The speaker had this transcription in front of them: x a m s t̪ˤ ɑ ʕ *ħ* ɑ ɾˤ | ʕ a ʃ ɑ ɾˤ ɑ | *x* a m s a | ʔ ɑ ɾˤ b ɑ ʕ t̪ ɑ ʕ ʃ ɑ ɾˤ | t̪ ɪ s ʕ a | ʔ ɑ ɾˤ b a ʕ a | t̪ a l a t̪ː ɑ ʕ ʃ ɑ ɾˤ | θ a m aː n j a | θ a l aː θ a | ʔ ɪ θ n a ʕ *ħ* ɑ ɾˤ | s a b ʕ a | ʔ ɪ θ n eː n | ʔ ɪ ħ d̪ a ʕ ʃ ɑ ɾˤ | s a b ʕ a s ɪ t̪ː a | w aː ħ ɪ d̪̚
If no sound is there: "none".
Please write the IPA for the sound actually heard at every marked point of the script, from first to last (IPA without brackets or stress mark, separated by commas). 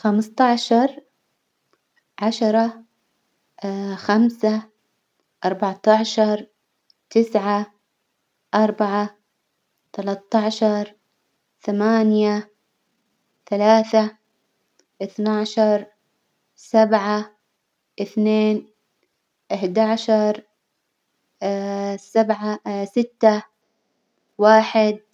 ʃ, x, ʃ